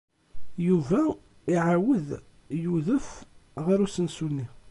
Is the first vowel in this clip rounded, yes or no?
yes